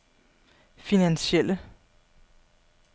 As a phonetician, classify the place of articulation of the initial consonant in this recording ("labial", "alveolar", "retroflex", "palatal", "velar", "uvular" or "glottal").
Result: labial